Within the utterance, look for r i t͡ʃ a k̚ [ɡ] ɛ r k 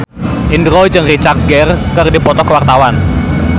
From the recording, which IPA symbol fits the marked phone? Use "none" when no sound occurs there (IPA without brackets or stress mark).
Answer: ɡ